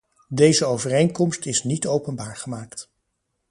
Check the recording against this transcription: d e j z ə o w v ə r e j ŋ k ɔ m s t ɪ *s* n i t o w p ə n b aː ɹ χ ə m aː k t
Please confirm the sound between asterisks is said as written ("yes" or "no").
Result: yes